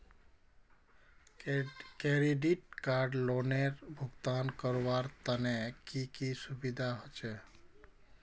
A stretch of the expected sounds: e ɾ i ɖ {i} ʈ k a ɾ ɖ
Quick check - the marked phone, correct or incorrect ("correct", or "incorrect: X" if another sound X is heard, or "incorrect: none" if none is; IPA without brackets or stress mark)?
correct